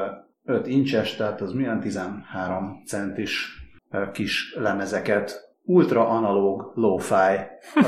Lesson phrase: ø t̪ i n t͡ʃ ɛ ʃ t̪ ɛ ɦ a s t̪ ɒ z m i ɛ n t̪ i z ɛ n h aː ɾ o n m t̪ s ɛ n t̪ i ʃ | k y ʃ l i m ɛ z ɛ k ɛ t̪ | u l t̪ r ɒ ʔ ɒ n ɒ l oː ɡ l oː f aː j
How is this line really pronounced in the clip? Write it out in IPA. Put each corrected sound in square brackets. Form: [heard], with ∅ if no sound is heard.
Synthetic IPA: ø t̪ i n t͡ʃ ɛ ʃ t̪ ɛ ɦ a [∅] t̪ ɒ z m i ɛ n t̪ i z ɛ n h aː ɾ o [∅] m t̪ s ɛ n t̪ i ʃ | k [i] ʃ l [ɛ] m ɛ z ɛ k ɛ t̪ | u l t̪ r ɒ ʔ ɒ n ɒ l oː ɡ l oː f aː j